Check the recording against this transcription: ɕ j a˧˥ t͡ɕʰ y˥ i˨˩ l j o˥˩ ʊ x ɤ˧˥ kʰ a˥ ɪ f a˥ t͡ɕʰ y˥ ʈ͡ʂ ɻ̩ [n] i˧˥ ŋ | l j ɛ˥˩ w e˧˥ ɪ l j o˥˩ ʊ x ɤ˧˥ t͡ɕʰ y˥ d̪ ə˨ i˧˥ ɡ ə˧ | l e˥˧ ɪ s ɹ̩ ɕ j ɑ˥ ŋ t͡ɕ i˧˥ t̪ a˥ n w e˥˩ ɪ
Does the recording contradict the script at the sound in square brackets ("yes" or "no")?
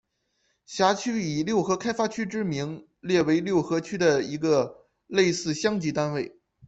yes